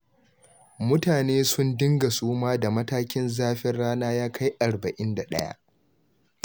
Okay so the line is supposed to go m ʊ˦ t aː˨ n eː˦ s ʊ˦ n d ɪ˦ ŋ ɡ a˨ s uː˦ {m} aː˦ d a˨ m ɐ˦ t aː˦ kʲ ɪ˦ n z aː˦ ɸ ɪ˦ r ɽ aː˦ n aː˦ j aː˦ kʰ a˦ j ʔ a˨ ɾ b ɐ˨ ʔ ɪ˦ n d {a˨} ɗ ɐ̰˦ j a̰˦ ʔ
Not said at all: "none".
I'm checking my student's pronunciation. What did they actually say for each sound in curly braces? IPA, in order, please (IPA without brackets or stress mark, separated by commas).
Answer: m, a˨